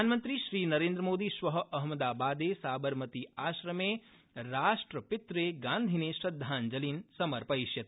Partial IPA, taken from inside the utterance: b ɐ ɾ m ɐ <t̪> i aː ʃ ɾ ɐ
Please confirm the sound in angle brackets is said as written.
yes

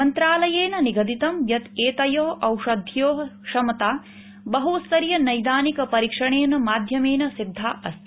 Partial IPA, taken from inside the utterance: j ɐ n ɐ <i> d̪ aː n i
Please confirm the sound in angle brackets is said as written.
no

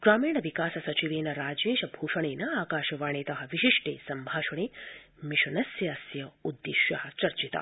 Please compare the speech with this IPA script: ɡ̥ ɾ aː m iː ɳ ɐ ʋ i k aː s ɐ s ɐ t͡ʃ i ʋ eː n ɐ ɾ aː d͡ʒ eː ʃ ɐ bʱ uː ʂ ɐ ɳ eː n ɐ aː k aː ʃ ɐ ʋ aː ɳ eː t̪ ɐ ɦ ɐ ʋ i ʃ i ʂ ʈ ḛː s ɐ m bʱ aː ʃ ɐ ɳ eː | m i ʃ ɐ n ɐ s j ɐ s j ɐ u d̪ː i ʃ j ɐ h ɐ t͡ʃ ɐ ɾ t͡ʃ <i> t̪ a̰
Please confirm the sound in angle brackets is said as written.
yes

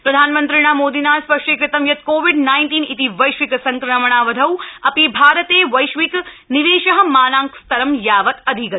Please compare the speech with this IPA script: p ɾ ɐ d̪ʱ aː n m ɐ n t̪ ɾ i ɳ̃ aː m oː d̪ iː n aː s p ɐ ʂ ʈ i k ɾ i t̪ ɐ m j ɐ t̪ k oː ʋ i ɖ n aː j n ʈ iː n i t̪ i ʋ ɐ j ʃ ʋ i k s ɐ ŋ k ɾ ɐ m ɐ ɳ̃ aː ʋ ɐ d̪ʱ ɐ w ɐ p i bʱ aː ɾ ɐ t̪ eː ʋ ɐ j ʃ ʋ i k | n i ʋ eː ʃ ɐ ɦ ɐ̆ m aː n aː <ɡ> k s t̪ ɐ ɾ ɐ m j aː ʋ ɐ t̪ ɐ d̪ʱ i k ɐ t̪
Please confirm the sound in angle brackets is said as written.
no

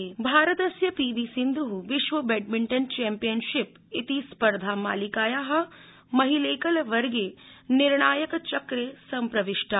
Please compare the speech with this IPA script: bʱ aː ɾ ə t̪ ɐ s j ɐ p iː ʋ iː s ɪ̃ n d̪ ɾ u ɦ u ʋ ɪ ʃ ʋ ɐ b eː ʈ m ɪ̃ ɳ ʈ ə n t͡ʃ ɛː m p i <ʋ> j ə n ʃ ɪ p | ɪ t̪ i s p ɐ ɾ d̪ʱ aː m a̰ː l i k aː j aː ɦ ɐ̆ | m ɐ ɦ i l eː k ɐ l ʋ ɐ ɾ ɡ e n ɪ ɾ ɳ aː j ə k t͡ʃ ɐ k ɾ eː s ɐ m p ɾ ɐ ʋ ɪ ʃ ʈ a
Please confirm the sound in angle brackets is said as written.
no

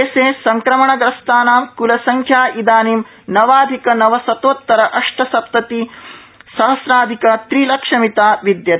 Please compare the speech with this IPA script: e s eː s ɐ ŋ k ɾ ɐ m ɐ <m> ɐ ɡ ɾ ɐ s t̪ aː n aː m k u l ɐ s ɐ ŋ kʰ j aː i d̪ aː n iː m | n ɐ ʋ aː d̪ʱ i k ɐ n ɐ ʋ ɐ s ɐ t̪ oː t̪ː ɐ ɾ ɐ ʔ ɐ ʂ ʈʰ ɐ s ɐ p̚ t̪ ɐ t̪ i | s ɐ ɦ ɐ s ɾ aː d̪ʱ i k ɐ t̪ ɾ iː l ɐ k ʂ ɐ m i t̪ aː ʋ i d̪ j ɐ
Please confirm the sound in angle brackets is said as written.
no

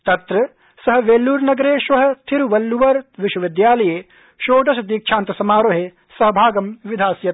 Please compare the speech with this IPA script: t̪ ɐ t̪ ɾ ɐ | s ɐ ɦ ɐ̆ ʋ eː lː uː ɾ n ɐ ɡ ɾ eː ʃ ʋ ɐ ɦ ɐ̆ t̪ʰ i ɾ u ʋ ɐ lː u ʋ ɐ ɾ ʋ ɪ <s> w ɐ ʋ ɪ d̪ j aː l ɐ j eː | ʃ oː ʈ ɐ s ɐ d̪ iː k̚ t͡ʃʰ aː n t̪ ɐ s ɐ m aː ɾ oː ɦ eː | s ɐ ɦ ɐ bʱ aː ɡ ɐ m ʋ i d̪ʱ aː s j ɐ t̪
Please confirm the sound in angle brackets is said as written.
no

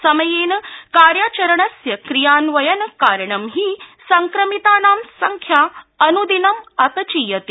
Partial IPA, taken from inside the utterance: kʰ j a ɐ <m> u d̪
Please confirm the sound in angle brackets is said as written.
no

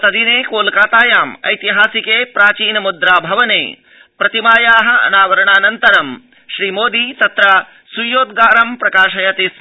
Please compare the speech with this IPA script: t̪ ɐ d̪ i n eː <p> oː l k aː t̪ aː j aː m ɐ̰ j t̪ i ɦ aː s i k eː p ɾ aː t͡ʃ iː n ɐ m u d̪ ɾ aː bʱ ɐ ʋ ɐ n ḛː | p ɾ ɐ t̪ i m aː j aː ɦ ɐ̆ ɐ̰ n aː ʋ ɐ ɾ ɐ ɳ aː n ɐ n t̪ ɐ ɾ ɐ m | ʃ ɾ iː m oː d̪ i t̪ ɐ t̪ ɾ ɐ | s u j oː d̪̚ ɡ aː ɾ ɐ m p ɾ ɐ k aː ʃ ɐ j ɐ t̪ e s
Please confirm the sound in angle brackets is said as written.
no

